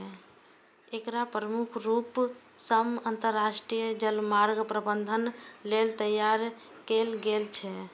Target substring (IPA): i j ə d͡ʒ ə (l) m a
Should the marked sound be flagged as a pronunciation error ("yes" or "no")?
no